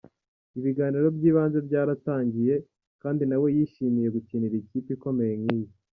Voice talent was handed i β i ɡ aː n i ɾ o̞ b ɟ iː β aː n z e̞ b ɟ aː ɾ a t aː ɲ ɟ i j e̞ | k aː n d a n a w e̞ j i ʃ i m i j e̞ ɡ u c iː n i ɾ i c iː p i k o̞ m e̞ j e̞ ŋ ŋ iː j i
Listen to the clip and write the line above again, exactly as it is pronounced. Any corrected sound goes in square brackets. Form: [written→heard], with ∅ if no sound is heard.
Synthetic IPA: i β i ɡ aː n i ɾ o̞ b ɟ iː β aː n z e̞ b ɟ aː ɾ a t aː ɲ ɟ i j e̞ | k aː n d [a→i] n a w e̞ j i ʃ i m i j e̞ ɡ u c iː n i ɾ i c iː p i k o̞ m e̞ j e̞ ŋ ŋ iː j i